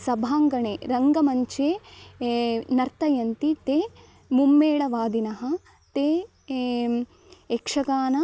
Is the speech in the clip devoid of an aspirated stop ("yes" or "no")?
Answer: yes